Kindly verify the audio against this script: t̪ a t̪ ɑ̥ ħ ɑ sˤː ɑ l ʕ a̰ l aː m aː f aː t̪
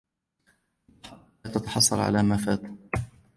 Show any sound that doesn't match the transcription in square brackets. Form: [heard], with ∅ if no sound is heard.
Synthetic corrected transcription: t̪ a t̪ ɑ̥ ħ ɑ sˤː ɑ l ʕ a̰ l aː m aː f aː t̪